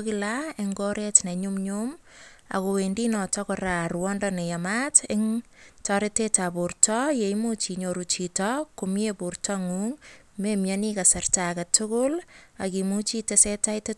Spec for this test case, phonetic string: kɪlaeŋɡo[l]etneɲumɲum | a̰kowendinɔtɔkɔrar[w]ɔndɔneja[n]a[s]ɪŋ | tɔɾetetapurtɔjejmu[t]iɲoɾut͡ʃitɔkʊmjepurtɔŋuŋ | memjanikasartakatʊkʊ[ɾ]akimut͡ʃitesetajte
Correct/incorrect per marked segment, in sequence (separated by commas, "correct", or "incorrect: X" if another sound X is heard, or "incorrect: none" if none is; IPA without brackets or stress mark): incorrect: ɾ, correct, incorrect: m, incorrect: t, incorrect: t͡ʃ, incorrect: l